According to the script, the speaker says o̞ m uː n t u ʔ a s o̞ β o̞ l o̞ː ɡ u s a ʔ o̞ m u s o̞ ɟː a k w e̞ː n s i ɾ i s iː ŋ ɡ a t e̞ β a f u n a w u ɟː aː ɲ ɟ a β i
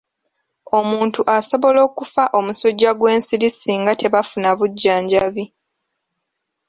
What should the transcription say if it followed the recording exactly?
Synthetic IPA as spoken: o̞ m uː n t u ʔ a s o̞ β o̞ l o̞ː k u f a ʔ o̞ m u s o̞ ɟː a ɡ w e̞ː n s i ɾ i s iː ŋ ɡ a t e̞ β a f u n a β u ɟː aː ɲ ɟ a β i